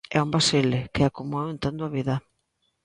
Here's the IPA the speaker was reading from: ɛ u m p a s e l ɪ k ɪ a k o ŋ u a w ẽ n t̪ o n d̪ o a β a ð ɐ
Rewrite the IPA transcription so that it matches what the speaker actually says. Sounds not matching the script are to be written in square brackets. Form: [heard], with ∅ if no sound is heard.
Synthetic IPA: ɛ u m [b] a s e l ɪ k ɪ a k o [m] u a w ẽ n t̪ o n d̪ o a β [i] ð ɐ

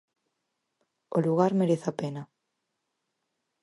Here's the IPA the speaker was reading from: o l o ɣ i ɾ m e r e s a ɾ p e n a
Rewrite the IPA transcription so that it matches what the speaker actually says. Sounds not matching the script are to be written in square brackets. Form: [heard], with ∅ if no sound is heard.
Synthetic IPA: o l [u] ɣ [a] ɾ m e [ɾ] e [θ] a [∅] p e n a

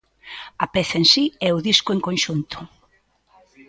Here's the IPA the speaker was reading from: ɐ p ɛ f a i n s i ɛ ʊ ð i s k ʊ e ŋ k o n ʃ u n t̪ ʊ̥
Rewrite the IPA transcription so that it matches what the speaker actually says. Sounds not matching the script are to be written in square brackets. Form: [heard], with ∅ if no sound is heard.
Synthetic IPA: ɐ p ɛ [θ] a [e] n s i ɛ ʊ ð i s k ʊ e ŋ k o n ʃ u n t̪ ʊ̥

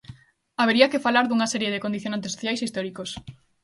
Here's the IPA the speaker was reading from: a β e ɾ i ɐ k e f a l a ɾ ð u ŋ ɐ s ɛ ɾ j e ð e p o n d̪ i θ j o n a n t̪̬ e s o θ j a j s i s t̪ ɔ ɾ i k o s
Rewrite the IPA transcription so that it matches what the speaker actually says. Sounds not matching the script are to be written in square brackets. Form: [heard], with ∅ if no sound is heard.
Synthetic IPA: a β e ɾ i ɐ k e f a l a ɾ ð u ŋ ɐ s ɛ ɾ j e ð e [k] o n d̪ i θ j o n a n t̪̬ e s o θ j a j s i s t̪ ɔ ɾ i k o s

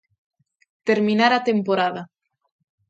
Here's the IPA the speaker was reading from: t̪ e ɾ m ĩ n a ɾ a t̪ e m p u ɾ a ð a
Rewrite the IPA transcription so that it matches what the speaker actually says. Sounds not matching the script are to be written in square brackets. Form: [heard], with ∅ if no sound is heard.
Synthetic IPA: t̪ e ɾ m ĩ n a ɾ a t̪ e m p [o] ɾ a ð a

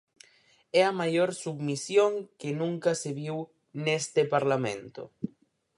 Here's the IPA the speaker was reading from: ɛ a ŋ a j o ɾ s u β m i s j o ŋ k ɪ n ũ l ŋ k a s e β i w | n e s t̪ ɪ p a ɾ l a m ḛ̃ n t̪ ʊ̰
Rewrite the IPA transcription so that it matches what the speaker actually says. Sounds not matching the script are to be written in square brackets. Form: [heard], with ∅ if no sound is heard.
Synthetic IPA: ɛ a [m] a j o ɾ s u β m i s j o ŋ k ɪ n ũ [∅] ŋ k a s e β i w | n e s t̪ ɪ p a ɾ l a m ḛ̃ n t̪ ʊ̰

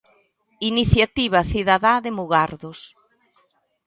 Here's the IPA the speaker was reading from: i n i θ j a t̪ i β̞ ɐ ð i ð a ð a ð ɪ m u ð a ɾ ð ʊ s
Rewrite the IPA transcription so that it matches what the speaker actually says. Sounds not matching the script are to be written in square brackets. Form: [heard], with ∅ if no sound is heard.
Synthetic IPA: i n i θ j a t̪ i β̞ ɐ [θ] i ð a ð a ð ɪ m u [ɣ] a ɾ ð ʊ s

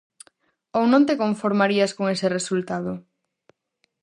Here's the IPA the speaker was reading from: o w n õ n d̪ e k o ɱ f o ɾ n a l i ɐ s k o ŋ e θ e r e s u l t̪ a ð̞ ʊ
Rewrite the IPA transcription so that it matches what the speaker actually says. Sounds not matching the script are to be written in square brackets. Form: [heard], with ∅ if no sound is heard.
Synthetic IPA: o w n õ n [t̪] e k o ɱ f o ɾ [m] a [ɾ] i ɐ s k o ŋ e [s] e r e s u l t̪ a ð̞ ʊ

